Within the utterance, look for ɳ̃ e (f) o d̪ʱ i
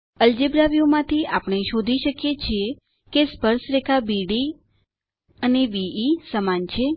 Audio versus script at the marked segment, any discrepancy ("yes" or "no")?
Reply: yes